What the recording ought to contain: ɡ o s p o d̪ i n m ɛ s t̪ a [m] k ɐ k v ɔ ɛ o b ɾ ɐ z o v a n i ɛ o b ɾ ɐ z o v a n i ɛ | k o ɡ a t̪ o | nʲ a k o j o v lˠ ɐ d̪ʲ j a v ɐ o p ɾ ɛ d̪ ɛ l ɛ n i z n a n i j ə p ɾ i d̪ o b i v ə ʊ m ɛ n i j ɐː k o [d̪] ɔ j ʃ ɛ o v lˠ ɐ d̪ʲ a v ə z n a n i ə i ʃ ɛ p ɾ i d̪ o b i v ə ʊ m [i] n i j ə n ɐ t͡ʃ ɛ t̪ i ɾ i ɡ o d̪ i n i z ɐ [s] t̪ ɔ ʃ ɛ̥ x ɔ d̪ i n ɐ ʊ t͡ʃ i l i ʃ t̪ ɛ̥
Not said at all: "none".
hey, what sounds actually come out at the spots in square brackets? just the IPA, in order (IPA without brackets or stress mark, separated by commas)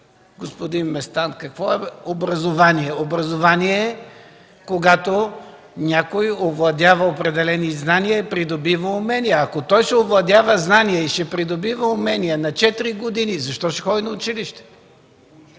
n, t̪, ɛ, ʃ